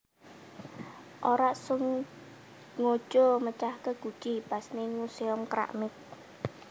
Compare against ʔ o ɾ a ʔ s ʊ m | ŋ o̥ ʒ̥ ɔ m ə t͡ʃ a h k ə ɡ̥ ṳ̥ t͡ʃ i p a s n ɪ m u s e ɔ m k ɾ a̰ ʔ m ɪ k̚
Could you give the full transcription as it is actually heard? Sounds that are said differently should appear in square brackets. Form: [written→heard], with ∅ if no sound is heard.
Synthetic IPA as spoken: ʔ o ɾ a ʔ s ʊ [m→ŋ] | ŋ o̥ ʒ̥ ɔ m ə t͡ʃ a h k ə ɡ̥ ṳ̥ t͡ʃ i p a s n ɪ [m→ŋ] u s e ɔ m k ɾ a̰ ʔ m ɪ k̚